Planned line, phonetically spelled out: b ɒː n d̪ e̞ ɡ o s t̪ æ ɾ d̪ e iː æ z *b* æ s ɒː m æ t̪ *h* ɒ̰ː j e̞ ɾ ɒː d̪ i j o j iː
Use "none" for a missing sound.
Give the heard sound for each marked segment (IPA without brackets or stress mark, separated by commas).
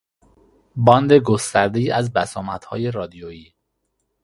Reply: b, h